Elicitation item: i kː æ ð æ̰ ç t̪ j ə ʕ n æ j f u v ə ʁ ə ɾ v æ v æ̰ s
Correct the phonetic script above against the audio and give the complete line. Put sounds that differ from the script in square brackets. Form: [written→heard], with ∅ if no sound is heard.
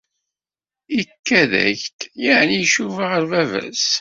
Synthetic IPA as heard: i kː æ ð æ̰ ç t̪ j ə ʕ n [æ→i] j [f→ʃ] u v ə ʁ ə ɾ v æ v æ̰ s

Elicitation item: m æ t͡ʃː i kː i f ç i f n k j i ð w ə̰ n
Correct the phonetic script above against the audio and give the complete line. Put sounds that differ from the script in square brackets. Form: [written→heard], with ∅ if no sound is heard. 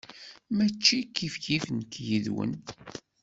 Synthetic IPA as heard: m æ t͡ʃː i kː i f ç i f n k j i ð w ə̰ n

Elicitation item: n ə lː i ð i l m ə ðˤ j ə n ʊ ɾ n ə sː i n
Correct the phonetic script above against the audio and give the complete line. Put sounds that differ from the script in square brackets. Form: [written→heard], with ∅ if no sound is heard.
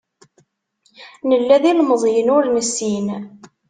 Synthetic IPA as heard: n ə lː [i→æ] ð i l m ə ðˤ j ə n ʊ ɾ n ə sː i n

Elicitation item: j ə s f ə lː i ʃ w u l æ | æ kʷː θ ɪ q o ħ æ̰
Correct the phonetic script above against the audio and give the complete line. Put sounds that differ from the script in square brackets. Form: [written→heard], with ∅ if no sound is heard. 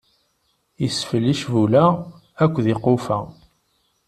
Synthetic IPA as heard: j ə s f ə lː i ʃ [w→v] u l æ | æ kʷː [θ→ð] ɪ q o [ħ→f] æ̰

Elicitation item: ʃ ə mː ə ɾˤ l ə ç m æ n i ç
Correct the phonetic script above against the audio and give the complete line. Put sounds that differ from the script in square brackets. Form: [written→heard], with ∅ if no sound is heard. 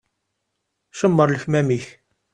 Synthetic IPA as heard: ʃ ə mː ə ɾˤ l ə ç m æ [n→m] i ç

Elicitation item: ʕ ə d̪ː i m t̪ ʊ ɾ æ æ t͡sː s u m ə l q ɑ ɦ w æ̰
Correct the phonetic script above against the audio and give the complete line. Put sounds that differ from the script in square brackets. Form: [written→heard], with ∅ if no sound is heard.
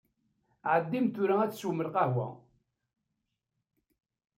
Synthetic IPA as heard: ʕ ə d̪ː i m t̪ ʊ ɾ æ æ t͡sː s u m ə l q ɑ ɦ w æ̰

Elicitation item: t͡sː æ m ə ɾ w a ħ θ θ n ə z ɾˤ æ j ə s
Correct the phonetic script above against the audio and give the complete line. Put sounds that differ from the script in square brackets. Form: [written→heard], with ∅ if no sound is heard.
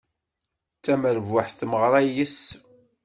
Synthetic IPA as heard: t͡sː æ m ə ɾ [w→v] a ħ θ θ [n→m] ə [z→ʁ] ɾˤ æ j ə s

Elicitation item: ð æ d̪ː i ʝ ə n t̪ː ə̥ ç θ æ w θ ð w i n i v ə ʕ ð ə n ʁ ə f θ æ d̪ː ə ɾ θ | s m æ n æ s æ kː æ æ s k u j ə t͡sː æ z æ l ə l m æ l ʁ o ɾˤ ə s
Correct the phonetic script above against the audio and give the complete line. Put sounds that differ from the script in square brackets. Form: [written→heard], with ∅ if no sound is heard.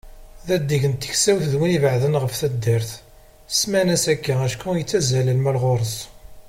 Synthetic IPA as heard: ð æ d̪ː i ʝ ə n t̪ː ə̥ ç [θ→s] æ w θ ð w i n i v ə ʕ ð ə n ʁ ə f θ æ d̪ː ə ɾ θ | s m æ n æ s æ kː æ æ [s→ʃ] k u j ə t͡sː æ z æ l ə l m æ l ʁ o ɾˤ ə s

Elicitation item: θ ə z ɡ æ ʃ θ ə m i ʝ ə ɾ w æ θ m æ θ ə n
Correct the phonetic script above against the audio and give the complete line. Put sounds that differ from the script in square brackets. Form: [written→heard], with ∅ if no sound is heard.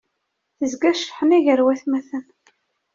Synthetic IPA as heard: θ ə z ɡ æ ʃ [θ→ħ] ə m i ʝ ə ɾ w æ θ m æ θ ə n

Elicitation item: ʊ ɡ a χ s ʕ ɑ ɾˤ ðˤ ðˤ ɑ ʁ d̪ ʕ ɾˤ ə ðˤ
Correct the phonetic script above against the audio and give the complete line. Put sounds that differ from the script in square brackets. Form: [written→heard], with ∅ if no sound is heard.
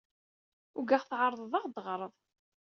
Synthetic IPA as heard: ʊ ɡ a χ [s→θ] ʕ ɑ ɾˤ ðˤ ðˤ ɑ ʁ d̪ [ʕ→ʁ] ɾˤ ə ðˤ

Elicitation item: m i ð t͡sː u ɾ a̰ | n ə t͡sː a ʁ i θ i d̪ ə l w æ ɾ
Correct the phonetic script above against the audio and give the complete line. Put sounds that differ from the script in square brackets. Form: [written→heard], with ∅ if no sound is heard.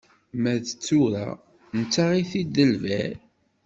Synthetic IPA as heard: m [i→æ] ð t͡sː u ɾ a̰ | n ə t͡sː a ʁ i θ i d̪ ə l [w→v] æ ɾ

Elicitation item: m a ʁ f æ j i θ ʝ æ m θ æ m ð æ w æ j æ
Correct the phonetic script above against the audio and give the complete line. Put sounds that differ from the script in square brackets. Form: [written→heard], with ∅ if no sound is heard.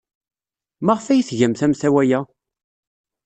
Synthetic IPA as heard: m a ʁ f æ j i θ ʝ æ m θ æ m [ð→θ] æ w æ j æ

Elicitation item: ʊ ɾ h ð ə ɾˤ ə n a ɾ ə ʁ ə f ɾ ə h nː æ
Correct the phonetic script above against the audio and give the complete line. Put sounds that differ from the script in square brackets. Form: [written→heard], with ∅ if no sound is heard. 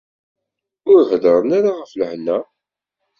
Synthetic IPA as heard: ʊ ɾ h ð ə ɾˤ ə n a ɾ [ə→a] ʁ ə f [ɾ→l] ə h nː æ

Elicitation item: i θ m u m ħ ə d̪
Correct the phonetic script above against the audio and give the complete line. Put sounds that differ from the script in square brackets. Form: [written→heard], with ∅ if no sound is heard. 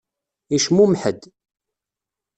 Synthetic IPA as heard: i [θ→ʃ] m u m ħ ə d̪

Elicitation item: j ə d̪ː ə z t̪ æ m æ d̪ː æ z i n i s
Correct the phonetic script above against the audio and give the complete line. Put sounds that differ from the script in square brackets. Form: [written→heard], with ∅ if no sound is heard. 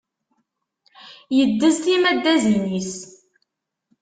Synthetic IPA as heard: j ə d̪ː ə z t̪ [æ→i] m æ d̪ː æ z i n i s

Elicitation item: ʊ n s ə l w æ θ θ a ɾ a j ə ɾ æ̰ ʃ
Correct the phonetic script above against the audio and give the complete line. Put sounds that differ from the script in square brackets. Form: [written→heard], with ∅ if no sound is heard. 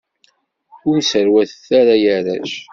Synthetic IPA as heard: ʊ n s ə [l→ɾ] w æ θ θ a ɾ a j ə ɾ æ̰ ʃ

